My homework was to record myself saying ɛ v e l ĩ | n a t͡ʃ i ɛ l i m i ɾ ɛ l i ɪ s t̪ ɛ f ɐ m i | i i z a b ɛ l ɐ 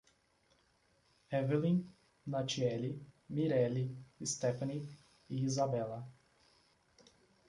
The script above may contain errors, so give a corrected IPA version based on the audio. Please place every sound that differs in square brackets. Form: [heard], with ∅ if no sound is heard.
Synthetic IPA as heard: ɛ v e l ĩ | n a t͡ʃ i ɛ l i m i ɾ ɛ l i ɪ s t̪ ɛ f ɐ [n] i | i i z a b ɛ l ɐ